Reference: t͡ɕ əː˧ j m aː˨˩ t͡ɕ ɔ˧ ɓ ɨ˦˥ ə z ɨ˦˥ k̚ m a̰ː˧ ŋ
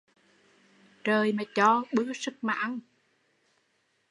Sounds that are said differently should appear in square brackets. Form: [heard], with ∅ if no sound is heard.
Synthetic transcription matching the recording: t͡ɕ [əː˨˩] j m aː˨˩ t͡ɕ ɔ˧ ɓ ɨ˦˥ ə [s] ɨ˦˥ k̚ m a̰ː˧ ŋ

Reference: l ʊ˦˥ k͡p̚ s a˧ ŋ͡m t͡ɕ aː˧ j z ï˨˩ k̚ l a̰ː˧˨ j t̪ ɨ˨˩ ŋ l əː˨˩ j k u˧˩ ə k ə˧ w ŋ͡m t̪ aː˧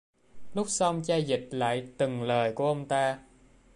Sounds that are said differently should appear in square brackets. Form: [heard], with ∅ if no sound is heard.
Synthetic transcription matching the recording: l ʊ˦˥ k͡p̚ s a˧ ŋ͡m t͡ɕ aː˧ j z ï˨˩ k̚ l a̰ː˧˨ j t̪ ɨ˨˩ ŋ l əː˨˩ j k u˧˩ ə [ʔ] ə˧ w ŋ͡m t̪ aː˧

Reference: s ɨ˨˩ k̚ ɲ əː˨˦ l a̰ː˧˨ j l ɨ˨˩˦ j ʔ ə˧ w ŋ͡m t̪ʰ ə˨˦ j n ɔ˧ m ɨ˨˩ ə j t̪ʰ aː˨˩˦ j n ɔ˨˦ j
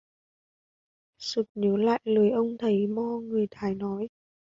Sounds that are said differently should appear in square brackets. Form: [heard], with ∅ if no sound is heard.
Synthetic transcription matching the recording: s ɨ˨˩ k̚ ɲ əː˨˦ l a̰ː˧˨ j l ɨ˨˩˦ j ʔ ə˧ w ŋ͡m t̪ʰ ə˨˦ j [m] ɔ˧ [ŋ] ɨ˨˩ ə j t̪ʰ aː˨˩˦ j n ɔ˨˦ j

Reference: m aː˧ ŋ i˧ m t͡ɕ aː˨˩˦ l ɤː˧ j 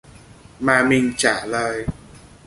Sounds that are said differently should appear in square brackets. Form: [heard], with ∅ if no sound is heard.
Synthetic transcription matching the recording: m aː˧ [m] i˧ [ŋ] t͡ɕ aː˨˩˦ l ɤː˧ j

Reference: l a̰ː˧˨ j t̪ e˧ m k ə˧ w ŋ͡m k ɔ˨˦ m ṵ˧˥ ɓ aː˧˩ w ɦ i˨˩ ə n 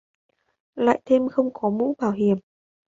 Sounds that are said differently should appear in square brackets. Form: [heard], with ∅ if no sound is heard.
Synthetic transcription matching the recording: l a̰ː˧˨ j [t̪ʰ] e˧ m [x] ə˧ w ŋ͡m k ɔ˨˦ m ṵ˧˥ ɓ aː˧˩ w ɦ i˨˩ ə [m]

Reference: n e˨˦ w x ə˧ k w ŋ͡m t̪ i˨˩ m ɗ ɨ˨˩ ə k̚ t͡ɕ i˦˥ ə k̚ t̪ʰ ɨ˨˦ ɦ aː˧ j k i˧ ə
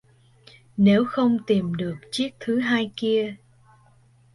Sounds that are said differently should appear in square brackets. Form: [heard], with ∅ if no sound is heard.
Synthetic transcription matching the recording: n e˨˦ w x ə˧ [∅] w ŋ͡m t̪ i˨˩ m ɗ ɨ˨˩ ə k̚ t͡ɕ i˦˥ ə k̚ t̪ʰ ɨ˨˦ ɦ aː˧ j k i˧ ə

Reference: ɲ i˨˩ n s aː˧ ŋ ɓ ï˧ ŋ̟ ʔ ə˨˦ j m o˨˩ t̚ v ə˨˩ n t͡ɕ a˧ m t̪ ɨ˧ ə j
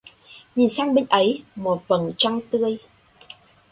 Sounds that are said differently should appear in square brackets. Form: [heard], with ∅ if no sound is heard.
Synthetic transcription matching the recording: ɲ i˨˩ n s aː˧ ŋ ɓ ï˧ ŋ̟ ʔ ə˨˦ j m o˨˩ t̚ v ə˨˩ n t͡ɕ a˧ [ŋ] t̪ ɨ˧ ə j

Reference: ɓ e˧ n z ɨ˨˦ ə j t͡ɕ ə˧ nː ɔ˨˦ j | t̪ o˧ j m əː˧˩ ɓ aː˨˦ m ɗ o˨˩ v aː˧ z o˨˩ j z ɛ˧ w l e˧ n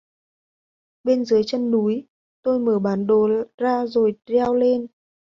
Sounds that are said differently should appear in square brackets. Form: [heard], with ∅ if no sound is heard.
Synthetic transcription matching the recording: ɓ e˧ n z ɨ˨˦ ə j t͡ɕ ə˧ nː [u˨˦] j | t̪ o˧ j m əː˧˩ ɓ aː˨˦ [n] ɗ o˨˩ [z] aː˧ z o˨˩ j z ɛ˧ w l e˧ n

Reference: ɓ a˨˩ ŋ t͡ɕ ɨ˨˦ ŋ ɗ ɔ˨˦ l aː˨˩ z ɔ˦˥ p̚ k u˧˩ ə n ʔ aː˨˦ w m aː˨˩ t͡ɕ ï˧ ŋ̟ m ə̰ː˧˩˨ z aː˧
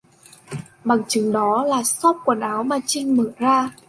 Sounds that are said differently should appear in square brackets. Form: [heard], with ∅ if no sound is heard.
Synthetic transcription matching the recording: ɓ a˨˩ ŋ t͡ɕ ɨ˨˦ ŋ ɗ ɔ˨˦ l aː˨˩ [s] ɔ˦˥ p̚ k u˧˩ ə n ʔ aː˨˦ w m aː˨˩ t͡ɕ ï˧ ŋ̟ m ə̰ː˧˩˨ z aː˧

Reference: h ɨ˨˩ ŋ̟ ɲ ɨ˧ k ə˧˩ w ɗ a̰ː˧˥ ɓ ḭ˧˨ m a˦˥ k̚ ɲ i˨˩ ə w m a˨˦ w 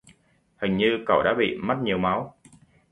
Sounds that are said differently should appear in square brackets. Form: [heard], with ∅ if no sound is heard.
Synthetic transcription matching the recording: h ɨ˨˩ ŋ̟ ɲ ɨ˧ k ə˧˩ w ɗ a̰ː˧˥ ɓ ḭ˧˨ m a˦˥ [t̚] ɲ i˨˩ ə w m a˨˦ w

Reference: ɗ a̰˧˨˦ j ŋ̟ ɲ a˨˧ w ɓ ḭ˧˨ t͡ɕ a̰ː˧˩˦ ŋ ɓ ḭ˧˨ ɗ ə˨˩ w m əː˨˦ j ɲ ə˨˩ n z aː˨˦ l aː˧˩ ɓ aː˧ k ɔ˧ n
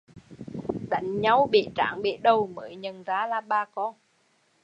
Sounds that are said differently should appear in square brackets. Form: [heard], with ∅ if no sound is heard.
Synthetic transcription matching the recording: ɗ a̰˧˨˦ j ŋ̟ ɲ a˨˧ w ɓ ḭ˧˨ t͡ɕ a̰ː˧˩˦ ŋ ɓ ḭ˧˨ ɗ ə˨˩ w m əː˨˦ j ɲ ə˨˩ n z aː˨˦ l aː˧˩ ɓ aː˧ k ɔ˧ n

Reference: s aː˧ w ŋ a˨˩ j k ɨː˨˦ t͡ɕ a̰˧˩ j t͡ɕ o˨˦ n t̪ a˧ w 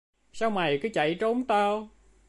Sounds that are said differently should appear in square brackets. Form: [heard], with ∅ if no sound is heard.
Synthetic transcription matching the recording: s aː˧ w [m] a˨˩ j k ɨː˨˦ t͡ɕ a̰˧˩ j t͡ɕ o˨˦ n t̪ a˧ w

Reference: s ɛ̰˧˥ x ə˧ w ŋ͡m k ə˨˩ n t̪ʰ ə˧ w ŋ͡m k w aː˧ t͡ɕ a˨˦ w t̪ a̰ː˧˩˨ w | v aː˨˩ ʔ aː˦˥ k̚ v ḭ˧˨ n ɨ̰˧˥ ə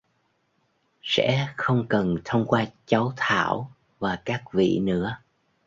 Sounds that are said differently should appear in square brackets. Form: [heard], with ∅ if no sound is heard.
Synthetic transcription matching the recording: s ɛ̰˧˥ x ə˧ w ŋ͡m k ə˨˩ n t̪ʰ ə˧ w ŋ͡m k w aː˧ t͡ɕ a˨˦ w [t̪ʰ] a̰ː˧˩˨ w | v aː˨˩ [k] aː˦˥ k̚ v ḭ˧˨ n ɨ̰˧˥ ə

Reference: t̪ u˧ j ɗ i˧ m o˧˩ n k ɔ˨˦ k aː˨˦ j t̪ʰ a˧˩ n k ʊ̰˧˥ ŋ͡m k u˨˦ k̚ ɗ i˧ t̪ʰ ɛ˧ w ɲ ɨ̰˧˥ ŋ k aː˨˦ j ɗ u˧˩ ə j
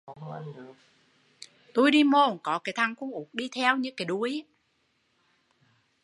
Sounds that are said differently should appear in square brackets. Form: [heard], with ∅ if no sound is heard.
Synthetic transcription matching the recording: t̪ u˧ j ɗ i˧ m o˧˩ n k ɔ˨˦ k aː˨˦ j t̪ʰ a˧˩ [ŋ] k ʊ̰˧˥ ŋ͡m [ʔ] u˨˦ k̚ ɗ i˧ t̪ʰ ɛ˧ w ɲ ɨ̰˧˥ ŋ k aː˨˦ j ɗ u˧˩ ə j

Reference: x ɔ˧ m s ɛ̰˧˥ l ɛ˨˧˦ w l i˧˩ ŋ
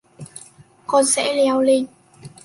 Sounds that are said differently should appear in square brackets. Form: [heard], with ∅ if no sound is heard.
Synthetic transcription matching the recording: [k] ɔ˧ [n] s ɛ̰˧˥ l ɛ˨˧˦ w l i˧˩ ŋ

